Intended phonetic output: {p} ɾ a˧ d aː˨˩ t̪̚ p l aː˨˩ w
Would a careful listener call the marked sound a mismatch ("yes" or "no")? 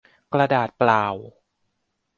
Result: yes